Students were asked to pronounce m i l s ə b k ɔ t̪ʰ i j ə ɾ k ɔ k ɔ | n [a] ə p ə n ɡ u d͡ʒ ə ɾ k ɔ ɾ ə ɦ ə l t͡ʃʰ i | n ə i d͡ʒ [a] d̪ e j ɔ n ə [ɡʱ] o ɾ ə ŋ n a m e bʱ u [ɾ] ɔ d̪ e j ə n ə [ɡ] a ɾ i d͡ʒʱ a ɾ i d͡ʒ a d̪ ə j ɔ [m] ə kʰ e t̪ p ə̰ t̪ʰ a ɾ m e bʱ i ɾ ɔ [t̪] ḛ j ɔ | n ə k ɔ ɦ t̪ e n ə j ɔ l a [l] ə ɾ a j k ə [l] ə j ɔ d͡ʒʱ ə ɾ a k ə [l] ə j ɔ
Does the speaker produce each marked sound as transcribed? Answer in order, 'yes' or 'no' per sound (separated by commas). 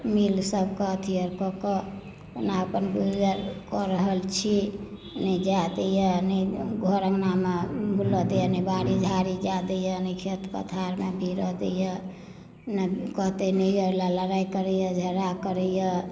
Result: yes, yes, yes, no, no, no, no, yes, no, no